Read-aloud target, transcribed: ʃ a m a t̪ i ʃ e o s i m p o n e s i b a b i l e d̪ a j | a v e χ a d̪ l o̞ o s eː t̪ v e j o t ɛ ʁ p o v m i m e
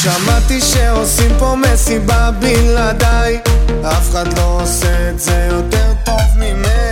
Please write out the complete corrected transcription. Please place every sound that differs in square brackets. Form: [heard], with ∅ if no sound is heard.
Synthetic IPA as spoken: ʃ a m a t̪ i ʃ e o s i m p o [m] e s i b a b i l [a] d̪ a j | a [f] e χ a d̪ l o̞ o s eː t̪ [z] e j o t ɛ ʁ [t] o v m i m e